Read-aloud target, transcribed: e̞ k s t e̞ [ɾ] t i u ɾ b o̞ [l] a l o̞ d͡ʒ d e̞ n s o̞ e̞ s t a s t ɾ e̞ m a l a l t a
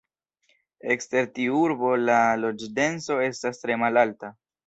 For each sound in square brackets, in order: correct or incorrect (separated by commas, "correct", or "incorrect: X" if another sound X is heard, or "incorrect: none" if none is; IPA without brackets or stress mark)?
correct, correct